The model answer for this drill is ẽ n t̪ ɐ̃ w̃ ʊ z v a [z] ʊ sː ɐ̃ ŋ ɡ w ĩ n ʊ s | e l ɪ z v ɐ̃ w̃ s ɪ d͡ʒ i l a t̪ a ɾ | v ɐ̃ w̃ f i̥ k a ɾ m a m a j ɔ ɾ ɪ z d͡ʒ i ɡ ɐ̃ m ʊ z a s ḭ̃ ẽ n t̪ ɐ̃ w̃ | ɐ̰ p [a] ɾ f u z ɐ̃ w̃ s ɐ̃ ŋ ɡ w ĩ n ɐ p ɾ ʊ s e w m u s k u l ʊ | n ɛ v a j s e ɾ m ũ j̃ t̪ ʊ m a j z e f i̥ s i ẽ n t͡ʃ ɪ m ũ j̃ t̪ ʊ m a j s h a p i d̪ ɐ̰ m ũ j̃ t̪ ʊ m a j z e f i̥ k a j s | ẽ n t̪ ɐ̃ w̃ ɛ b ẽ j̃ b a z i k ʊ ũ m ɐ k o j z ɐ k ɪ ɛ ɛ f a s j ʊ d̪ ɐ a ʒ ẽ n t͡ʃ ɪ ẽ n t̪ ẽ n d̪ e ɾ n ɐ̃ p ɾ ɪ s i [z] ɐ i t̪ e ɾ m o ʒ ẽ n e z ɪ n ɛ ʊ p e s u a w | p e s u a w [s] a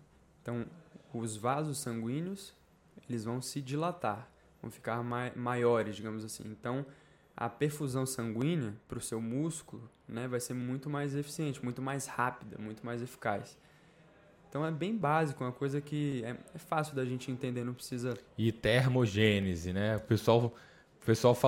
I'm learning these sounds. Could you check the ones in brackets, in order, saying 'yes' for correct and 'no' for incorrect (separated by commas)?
yes, no, yes, no